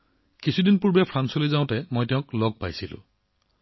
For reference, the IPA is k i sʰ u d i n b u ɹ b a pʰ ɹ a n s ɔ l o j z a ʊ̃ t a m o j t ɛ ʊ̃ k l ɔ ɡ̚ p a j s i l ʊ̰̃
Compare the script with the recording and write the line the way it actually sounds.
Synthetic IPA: k i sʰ u d i n p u ɹ b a pʰ ɹ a n s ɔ l o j z a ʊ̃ t ɛ m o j t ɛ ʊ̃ k l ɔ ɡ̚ p a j s i l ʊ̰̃